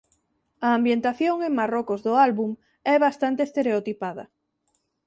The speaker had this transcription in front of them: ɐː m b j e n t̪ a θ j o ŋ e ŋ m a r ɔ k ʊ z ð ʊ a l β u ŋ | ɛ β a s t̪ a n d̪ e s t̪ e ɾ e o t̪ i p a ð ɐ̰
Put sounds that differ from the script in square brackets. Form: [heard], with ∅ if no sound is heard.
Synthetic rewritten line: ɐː m b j e n t̪ a θ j o ŋ e ŋ m a r ɔ k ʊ z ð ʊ a l β u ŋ | ɛ β a s t̪ a n [t̪] e s t̪ e ɾ e o t̪ i p a ð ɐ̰